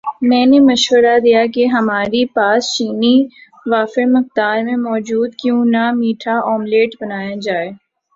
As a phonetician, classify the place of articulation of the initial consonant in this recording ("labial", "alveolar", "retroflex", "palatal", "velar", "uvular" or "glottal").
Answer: labial